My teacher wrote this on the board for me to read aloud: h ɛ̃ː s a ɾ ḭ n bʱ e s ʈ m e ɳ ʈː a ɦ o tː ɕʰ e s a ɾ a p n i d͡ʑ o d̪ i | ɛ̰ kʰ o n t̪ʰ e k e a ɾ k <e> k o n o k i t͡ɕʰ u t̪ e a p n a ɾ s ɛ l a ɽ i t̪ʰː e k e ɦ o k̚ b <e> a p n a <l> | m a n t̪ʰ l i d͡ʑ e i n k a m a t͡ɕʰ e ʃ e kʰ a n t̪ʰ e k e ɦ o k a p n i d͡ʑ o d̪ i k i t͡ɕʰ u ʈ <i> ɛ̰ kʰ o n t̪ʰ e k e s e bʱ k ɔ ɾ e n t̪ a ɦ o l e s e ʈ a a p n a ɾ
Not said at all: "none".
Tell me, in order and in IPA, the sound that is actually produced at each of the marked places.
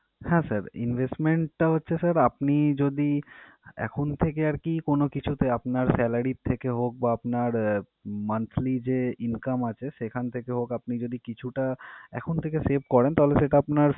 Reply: i, a, ɾ, a

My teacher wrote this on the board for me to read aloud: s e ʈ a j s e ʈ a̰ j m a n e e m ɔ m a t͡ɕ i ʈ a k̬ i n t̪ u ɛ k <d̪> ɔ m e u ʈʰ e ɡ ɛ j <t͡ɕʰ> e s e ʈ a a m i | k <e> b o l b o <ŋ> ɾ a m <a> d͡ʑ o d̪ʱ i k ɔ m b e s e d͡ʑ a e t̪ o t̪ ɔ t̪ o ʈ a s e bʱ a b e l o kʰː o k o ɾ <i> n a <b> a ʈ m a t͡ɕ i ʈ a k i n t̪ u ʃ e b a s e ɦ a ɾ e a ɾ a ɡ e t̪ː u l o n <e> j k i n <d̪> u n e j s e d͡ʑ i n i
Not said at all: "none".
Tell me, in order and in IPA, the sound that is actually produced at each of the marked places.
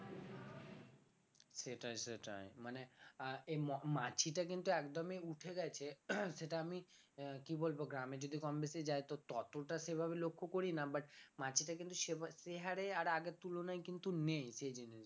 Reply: d̪, t͡ɕʰ, i, ɡ, e, i, b, a, t̪

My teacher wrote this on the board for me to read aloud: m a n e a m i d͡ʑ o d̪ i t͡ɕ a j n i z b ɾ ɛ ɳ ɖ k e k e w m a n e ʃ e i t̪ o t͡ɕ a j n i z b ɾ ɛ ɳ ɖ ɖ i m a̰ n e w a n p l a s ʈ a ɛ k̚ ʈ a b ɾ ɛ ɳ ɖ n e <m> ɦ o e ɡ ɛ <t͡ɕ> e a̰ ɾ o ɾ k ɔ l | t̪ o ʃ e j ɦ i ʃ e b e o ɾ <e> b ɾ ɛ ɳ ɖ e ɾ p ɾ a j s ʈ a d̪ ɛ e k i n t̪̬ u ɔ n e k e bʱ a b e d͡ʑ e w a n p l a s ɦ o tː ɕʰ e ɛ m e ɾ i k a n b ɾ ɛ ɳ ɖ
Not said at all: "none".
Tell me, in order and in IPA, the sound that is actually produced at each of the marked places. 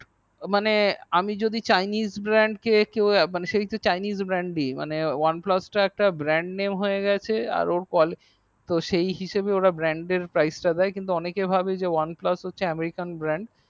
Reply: m, t͡ɕʰ, a

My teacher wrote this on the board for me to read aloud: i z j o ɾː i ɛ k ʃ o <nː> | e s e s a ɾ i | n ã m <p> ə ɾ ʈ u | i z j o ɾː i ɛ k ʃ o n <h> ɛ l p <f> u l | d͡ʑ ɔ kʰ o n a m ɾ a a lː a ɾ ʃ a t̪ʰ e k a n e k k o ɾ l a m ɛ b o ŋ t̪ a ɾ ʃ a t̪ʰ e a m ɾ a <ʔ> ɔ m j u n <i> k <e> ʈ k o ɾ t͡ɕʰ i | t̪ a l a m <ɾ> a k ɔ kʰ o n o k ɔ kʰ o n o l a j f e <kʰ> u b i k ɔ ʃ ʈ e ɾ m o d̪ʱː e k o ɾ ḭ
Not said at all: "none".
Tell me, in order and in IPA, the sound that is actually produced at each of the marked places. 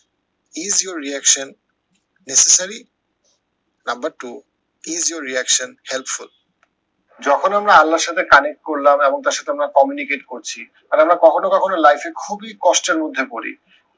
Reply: nː, b, h, f, k, i, e, ɾ, kʰ

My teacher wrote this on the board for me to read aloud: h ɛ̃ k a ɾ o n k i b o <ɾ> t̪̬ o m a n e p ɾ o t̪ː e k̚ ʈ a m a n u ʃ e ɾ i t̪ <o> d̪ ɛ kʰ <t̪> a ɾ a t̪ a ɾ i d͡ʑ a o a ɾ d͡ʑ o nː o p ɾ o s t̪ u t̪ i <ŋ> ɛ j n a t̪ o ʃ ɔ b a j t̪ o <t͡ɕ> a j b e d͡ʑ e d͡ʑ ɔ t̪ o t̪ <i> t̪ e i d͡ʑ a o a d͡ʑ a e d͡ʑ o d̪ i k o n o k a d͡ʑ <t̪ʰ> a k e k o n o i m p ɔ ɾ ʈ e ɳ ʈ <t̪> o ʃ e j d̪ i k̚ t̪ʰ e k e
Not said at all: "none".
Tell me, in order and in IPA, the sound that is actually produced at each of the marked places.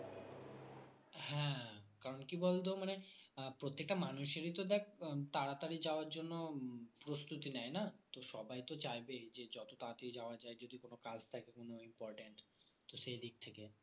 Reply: l, o, t̪, n, t͡ɕ, a, t̪ʰ, t̪

